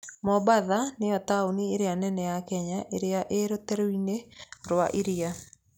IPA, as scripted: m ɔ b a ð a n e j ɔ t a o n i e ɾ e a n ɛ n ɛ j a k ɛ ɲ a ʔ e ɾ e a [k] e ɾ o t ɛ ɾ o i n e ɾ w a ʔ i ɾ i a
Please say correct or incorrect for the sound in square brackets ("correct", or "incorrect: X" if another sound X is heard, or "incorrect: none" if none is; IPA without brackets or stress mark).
incorrect: ʔ